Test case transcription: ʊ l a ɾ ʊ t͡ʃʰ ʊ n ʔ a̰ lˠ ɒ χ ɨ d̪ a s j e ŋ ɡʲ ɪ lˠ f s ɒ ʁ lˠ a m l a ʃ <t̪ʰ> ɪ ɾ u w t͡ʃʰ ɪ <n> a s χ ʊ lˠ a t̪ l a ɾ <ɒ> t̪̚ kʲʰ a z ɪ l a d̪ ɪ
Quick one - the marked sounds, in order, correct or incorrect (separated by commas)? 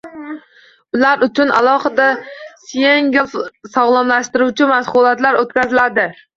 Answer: incorrect, incorrect, incorrect